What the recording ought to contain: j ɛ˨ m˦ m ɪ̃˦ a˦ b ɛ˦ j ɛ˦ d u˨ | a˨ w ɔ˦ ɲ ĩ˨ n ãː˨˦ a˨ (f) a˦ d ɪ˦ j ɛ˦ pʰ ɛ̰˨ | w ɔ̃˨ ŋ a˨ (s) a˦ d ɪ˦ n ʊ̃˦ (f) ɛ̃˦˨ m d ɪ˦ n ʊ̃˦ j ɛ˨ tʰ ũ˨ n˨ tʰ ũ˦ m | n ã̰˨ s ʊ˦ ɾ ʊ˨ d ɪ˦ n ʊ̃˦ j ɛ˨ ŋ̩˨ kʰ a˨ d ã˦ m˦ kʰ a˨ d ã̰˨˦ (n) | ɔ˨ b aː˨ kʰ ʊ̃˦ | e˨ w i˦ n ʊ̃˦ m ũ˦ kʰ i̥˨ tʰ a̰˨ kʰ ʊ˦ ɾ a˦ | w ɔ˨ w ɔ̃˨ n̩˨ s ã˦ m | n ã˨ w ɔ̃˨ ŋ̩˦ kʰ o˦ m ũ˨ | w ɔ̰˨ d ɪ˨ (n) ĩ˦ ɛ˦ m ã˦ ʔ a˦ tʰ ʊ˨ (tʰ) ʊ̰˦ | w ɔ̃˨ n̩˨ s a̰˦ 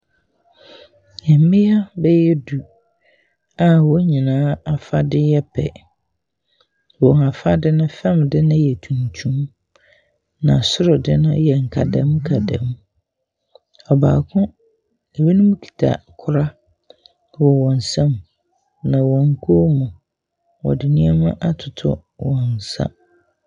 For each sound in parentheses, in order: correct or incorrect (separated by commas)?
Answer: correct, incorrect, correct, incorrect, correct, correct